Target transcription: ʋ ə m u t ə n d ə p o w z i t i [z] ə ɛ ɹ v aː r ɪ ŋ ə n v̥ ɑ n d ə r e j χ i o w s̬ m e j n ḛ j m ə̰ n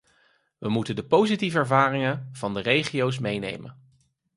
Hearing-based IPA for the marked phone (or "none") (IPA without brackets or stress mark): v